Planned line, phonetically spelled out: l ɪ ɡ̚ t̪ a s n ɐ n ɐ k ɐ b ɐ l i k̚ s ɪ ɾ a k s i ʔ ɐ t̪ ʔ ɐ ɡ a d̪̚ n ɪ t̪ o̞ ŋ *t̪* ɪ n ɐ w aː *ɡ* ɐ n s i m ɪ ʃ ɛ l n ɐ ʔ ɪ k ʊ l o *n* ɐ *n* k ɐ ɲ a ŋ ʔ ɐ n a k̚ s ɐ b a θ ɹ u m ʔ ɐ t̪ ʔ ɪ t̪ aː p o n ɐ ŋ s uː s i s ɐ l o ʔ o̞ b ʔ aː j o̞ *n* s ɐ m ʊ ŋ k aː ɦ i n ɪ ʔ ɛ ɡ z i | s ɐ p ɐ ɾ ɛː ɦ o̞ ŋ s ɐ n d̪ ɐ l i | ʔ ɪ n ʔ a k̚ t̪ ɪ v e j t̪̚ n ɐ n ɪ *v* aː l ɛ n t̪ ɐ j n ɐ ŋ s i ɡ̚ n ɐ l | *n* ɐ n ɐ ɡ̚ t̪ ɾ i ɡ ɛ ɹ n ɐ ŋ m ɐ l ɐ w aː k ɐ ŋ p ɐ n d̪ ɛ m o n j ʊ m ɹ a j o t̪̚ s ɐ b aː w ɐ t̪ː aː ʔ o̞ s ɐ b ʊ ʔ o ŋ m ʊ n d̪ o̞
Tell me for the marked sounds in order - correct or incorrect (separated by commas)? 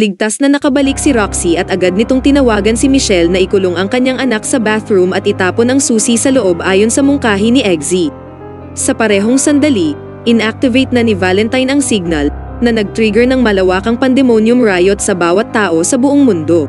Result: correct, correct, incorrect, incorrect, correct, correct, correct